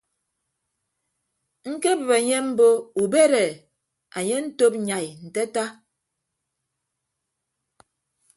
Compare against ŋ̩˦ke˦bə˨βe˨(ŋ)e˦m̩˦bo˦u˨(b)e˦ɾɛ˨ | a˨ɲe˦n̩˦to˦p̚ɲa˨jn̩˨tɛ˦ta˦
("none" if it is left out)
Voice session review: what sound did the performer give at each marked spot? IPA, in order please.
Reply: ɲ, b

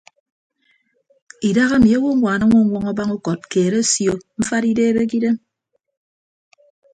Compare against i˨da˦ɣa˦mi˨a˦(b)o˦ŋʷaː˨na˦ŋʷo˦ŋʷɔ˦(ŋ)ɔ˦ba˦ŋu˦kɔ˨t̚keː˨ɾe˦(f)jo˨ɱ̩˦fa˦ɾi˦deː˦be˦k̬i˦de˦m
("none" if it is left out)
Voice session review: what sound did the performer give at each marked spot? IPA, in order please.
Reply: w, ŋ, s

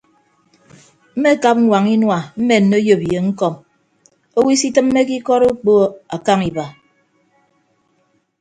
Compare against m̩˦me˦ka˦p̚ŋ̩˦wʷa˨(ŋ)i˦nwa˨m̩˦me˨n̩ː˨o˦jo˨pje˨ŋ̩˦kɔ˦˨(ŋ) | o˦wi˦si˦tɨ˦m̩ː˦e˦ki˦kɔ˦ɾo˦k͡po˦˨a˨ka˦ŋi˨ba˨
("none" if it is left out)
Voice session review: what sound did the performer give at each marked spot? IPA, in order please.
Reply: ŋ, m

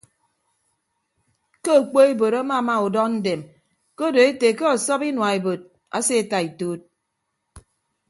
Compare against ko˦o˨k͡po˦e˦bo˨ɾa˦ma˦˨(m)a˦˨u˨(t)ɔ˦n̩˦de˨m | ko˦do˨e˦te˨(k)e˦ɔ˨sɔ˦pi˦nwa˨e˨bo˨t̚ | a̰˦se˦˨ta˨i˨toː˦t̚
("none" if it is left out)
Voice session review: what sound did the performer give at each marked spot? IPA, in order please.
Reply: m, d, k

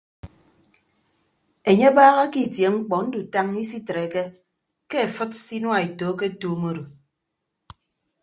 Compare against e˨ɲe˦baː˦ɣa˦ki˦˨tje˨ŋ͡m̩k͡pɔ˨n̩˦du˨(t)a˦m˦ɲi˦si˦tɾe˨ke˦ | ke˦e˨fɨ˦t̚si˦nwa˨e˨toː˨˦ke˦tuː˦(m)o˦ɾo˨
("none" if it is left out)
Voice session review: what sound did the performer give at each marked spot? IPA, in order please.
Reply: t, m

